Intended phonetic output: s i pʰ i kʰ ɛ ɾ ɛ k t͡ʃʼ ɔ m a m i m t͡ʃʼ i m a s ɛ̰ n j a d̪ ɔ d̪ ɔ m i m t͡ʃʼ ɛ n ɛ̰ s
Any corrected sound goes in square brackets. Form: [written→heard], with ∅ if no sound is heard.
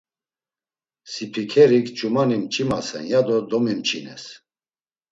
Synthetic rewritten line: s i pʰ i kʰ ɛ ɾ [ɛ→i] k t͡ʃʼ [ɔ→u] m a [m→n] i m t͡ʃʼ i m a s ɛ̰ n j a d̪ ɔ d̪ ɔ m i m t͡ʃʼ [ɛ→i] n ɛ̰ s